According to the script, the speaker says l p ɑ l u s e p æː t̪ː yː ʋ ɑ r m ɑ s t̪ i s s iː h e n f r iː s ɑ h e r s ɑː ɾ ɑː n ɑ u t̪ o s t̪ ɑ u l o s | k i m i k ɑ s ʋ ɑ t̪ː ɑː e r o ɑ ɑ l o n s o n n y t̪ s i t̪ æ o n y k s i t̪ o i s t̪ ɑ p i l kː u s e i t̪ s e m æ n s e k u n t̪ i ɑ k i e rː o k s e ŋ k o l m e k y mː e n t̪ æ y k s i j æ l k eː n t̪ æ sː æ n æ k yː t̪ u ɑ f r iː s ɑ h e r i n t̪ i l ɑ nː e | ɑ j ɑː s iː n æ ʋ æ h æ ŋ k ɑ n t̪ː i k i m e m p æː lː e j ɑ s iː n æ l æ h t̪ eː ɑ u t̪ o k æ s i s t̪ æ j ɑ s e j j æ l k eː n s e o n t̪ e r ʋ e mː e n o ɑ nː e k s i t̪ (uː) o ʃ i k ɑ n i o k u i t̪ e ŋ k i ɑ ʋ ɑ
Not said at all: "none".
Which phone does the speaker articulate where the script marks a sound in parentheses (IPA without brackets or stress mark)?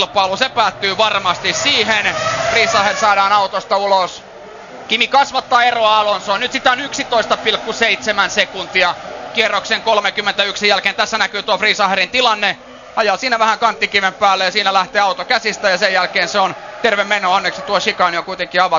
u